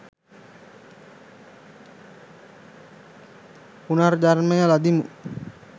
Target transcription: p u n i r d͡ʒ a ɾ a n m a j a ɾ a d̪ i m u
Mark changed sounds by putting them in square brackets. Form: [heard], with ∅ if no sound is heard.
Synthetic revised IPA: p u n [a] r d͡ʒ a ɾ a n m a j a [l] a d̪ i m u